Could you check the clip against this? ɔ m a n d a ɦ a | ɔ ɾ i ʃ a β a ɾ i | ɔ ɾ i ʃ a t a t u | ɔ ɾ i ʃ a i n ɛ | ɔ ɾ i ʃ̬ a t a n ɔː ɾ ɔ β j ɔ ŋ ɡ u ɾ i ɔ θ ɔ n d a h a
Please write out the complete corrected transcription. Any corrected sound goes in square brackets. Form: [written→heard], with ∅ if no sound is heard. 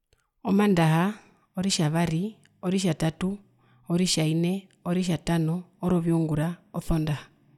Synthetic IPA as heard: ɔ m a n d a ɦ a | ɔ ɾ i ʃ a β a ɾ i | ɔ ɾ i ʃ a t a t u | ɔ ɾ i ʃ a i n ɛ | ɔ ɾ i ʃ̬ a t a n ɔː ɾ ɔ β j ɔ ŋ ɡ u ɾ [i→a] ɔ θ ɔ n d a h a